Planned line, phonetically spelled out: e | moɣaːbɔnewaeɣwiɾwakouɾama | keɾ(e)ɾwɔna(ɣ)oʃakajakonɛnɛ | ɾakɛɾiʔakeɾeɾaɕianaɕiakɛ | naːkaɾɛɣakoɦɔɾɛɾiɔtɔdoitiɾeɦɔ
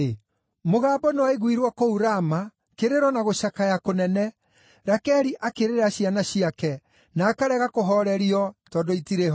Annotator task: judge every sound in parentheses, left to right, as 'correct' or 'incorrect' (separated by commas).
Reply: correct, correct